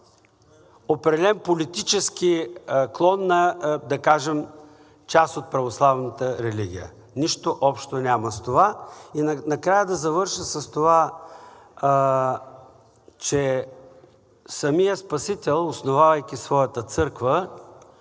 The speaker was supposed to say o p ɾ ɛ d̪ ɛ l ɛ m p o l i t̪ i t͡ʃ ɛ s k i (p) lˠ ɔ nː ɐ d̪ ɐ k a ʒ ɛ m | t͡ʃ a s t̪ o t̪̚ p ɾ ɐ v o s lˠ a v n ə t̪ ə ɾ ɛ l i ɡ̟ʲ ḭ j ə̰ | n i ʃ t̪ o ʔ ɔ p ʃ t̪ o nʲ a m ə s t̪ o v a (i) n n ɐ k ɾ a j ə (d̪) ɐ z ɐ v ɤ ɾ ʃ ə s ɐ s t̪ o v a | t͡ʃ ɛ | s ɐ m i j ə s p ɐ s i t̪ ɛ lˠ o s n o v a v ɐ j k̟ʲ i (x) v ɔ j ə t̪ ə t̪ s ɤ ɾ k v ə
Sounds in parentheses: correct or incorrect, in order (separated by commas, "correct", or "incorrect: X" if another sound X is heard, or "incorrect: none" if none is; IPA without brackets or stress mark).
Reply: incorrect: k, correct, correct, incorrect: s